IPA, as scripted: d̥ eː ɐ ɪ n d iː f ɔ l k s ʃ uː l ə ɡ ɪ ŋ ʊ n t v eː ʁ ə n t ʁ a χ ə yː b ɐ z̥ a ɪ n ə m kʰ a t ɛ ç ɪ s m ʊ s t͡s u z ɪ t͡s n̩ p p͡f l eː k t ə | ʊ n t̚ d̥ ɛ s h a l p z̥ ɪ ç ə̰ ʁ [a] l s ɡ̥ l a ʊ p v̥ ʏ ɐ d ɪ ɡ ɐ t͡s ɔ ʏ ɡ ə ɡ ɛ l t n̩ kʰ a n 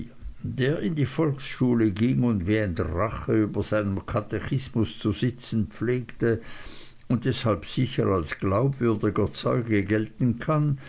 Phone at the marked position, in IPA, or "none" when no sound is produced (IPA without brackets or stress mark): a